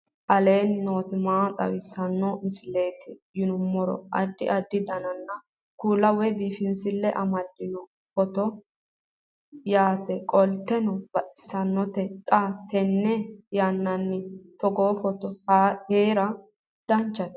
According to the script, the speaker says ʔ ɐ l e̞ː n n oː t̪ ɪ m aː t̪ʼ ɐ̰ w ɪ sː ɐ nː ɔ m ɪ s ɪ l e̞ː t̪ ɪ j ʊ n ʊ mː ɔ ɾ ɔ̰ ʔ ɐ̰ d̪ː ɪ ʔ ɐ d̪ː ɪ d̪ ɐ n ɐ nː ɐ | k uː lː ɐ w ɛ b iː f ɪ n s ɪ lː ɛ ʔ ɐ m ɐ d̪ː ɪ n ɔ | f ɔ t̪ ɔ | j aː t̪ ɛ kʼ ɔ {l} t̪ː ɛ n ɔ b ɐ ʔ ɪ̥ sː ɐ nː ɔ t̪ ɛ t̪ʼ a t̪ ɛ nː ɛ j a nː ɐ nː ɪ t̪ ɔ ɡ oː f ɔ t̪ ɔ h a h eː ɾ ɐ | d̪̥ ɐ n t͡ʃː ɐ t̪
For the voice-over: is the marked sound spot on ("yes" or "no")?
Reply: yes